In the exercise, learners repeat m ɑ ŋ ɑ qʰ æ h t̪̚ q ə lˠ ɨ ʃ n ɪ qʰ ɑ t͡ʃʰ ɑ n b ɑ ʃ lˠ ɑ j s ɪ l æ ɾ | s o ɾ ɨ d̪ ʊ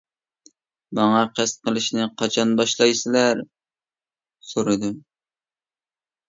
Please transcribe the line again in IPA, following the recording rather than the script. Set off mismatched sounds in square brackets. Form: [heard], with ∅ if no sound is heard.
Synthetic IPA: m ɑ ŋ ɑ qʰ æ [s] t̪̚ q ə lˠ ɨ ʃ n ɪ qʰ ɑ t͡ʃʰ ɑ n b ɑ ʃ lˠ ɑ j s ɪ l æ ɾ | s o ɾ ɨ d̪ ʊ